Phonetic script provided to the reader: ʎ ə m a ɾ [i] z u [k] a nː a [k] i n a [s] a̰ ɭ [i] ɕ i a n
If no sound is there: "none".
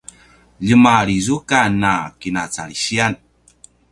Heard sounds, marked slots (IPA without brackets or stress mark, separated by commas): i, k, k, t͡s, i